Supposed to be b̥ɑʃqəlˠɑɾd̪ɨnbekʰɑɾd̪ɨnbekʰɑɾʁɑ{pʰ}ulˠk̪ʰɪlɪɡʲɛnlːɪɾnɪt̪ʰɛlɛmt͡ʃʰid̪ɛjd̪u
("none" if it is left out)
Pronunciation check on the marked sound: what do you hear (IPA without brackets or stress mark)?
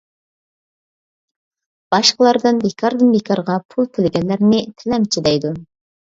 pʰ